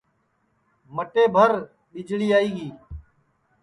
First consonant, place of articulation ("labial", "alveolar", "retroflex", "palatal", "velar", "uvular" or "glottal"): labial